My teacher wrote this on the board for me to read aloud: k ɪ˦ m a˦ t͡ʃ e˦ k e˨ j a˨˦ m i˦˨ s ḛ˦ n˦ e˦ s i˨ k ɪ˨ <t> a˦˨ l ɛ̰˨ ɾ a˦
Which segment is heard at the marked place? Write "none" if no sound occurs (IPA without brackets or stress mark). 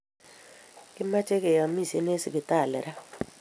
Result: t